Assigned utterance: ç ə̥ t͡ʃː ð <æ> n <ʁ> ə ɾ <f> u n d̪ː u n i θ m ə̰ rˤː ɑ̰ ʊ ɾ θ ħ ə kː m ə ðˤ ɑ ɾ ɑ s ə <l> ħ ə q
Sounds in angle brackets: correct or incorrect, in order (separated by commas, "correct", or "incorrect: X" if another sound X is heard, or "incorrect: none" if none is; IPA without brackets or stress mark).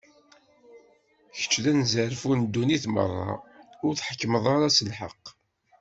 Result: correct, incorrect: z, correct, correct